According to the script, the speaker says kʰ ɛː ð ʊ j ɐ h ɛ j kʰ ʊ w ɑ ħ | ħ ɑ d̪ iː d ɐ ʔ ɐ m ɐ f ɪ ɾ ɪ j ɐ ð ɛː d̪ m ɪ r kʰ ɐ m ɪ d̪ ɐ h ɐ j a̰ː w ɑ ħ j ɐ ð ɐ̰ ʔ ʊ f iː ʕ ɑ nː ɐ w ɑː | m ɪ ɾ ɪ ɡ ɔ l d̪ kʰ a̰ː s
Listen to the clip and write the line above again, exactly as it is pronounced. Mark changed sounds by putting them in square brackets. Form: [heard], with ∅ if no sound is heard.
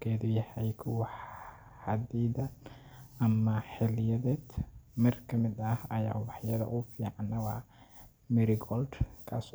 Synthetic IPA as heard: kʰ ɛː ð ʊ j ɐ h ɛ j kʰ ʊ w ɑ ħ | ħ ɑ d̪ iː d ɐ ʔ ɐ m ɐ [ħ] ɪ [l] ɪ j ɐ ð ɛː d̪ m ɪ r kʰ ɐ m ɪ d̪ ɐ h ɐ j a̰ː w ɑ ħ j ɐ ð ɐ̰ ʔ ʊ f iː ʕ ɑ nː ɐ w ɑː | m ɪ ɾ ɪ ɡ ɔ l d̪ kʰ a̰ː s